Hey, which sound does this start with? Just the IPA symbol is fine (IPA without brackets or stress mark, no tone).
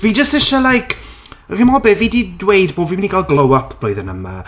v